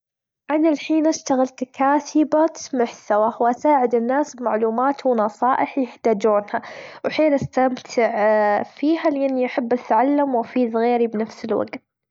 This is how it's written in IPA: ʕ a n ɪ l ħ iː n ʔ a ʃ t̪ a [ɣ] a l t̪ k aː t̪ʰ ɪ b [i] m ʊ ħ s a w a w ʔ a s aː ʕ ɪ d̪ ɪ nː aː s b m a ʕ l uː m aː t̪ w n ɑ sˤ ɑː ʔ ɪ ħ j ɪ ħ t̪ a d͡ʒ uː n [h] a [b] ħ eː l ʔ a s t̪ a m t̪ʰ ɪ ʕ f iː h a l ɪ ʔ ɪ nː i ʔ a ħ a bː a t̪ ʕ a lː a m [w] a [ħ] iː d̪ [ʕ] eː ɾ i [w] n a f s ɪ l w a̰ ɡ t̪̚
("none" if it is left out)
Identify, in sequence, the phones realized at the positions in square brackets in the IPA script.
ɣ, a, h, w, w, f, ɣ, b

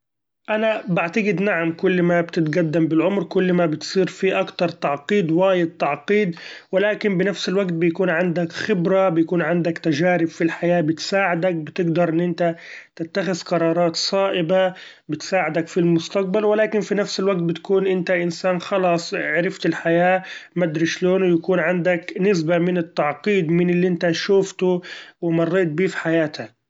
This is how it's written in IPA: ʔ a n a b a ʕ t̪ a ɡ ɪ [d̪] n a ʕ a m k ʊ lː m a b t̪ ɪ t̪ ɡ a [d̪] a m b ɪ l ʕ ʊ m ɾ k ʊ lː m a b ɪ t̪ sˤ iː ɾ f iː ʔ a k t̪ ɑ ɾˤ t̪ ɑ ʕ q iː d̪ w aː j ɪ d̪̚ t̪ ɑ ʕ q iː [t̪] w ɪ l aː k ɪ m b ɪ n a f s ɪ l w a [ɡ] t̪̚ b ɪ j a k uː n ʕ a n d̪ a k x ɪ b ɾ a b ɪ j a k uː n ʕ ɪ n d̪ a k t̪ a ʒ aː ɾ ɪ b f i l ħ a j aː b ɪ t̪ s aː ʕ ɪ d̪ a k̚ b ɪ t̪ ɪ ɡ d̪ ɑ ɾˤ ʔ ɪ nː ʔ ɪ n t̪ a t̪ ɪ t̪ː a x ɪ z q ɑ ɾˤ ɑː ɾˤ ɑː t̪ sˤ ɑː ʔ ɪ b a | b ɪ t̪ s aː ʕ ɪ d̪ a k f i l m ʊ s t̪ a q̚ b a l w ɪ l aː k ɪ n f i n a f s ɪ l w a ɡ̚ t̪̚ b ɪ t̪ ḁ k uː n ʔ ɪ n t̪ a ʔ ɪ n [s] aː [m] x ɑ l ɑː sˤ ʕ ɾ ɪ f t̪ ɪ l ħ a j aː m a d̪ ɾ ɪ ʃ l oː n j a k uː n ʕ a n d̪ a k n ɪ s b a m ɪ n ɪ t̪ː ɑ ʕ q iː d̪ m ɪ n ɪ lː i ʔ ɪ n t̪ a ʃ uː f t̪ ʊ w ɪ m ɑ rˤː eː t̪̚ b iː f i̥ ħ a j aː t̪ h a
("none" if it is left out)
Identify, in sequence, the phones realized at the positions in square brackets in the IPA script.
d̪, d̪ː, d̪, ɡ, s, n

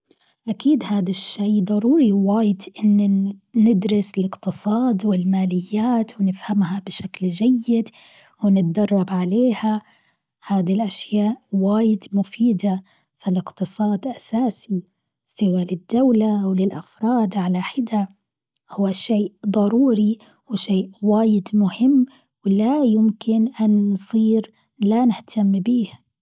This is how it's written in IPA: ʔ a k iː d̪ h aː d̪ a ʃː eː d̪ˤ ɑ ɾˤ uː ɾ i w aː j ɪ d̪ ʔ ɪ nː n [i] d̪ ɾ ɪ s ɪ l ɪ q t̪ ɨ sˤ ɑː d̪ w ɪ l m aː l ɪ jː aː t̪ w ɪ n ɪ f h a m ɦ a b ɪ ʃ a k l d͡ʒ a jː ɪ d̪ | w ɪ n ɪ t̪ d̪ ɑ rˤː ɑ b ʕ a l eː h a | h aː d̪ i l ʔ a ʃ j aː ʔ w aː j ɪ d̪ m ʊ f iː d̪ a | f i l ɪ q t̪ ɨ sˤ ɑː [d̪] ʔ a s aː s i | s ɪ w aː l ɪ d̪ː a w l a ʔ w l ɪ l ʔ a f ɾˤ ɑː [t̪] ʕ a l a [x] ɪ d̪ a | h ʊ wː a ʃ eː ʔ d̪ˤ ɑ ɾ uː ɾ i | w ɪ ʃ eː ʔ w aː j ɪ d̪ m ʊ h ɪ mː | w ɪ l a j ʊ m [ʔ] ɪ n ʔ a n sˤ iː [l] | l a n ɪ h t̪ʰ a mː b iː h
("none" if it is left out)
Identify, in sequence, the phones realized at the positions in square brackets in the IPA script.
ɪ, d̪, d̪, ħ, k, ɾ

